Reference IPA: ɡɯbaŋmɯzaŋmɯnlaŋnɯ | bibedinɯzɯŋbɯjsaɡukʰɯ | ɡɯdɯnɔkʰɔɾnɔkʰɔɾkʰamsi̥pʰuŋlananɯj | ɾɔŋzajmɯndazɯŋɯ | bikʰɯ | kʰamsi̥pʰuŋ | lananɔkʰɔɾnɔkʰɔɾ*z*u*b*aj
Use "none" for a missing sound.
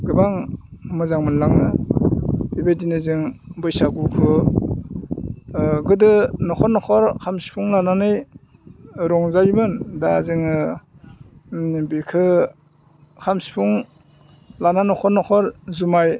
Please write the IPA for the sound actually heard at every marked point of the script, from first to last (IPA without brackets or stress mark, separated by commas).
z, m